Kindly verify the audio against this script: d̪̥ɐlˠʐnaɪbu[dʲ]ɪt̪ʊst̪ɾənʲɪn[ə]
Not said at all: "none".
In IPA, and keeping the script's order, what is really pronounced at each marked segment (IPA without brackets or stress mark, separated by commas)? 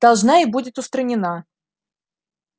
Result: dʲ, a